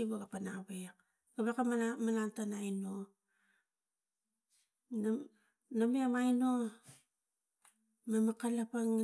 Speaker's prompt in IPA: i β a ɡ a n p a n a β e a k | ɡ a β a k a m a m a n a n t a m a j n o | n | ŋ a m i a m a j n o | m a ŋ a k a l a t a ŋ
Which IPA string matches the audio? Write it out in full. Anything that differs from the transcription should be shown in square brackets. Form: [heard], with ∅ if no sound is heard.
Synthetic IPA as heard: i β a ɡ a [∅] p a n a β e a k | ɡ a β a k a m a m a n a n t a [n] a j n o | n | [n] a m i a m a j n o | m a [m] a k a l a [p] a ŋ